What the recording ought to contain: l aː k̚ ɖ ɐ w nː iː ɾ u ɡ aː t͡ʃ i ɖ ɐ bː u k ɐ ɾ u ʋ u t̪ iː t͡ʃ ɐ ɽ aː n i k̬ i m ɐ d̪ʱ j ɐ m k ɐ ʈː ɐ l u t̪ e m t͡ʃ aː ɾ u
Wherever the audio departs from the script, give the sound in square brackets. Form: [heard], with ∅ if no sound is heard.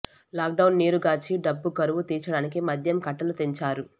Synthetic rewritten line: l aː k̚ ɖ ɐ w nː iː ɾ u ɡ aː t͡ʃ i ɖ ɐ bː u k ɐ ɾ u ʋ u t̪ iː t͡ʃ ɐ ɽ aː n i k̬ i m ɐ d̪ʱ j ɐ m k ɐ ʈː ɐ l u t̪ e [ɲ] t͡ʃ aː ɾ u

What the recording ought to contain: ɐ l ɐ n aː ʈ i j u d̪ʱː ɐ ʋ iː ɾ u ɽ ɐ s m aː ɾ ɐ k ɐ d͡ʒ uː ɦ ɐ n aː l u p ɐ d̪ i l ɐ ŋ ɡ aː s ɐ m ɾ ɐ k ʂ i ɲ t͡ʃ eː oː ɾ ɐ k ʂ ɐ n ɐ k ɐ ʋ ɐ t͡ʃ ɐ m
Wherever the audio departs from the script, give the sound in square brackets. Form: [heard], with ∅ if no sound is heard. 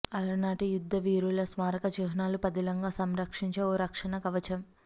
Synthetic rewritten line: ɐ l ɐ n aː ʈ i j u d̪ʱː ɐ ʋ iː ɾ u [l] ɐ s m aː ɾ ɐ k ɐ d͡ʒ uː ɦ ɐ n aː l u p ɐ d̪ i l ɐ ŋ ɡ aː s ɐ m ɾ ɐ k ʂ i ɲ t͡ʃ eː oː ɾ ɐ k ʂ ɐ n ɐ k ɐ ʋ ɐ t͡ʃ ɐ m

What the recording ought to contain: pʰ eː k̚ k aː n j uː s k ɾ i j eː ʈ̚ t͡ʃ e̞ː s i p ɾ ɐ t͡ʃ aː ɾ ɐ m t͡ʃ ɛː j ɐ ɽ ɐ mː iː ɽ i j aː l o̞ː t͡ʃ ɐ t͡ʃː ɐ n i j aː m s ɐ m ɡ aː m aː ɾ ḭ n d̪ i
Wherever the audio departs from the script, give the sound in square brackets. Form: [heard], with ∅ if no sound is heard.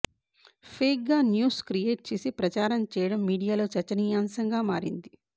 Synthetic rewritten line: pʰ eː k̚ [ɡ] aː n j uː s k ɾ i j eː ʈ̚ t͡ʃ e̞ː s i p ɾ ɐ t͡ʃ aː ɾ ɐ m t͡ʃ ɛː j ɐ ɽ ɐ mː iː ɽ i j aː l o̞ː t͡ʃ ɐ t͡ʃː ɐ n i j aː m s ɐ [ŋ] ɡ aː m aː ɾ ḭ n d̪ i

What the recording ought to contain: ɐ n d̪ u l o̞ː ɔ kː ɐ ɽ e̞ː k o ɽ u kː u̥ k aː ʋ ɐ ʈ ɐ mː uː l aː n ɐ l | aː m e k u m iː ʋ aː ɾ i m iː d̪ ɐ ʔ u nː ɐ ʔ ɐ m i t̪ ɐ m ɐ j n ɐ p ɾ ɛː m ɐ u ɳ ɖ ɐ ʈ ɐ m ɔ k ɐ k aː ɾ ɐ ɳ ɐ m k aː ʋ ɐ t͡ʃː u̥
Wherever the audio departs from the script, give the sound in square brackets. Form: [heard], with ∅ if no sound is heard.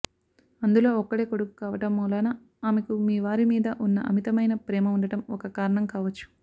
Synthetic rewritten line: ɐ n d̪ u l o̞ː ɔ kː ɐ ɽ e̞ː k o ɽ u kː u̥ k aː ʋ ɐ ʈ ɐ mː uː l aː n ɐ [∅] | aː m e k u m iː ʋ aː ɾ i m iː d̪ ɐ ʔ u nː ɐ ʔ ɐ m i t̪ ɐ m ɐ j n ɐ p ɾ ɛː m ɐ u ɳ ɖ ɐ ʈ ɐ m ɔ k ɐ k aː ɾ ɐ ɳ ɐ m k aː ʋ ɐ t͡ʃː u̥

